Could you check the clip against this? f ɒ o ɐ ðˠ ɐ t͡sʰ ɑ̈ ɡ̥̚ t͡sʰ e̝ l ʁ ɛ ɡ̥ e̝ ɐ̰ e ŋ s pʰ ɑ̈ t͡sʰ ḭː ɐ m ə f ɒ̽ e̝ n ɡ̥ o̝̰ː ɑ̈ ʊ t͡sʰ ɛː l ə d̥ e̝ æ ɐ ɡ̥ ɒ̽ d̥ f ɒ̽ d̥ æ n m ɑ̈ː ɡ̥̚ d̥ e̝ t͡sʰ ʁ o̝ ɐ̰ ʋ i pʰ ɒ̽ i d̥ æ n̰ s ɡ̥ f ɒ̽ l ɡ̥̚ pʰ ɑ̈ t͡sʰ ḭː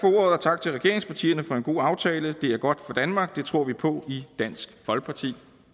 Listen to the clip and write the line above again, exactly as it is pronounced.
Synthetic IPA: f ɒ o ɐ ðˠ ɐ t͡sʰ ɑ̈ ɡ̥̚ t͡sʰ e̝ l ʁ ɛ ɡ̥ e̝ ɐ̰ e ŋ s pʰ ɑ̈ t͡sʰ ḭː ɐ n ə f ɒ̽ e̝ n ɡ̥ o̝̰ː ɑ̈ ʊ t͡sʰ ɛː l ə d̥ e̝ æ ɐ ɡ̥ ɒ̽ d̥ f ɒ̽ d̥ æ n m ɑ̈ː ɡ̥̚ d̥ e̝ t͡sʰ ʁ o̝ ɐ̰ ʋ i pʰ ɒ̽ i d̥ æ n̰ s ɡ̥ f ɒ̽ l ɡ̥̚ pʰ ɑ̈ t͡sʰ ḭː